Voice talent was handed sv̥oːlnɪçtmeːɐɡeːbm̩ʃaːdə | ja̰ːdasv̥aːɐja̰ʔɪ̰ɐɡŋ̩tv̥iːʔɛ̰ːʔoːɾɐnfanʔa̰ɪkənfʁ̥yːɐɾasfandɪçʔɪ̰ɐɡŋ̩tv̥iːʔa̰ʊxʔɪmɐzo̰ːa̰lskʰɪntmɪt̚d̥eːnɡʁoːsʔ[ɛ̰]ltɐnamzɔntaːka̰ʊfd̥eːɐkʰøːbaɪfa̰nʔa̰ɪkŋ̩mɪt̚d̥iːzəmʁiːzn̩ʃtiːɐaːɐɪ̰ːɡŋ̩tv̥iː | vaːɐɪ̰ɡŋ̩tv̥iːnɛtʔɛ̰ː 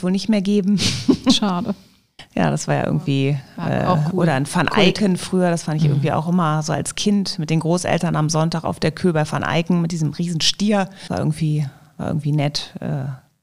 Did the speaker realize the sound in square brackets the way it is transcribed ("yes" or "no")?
yes